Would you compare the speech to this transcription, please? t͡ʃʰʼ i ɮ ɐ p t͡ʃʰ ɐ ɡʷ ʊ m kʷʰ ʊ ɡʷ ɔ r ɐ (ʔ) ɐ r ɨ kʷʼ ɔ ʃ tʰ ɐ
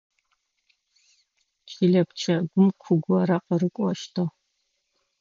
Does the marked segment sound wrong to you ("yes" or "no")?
yes